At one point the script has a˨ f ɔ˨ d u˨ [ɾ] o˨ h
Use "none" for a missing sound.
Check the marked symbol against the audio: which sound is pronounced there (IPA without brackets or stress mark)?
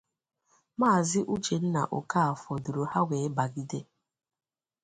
ɾ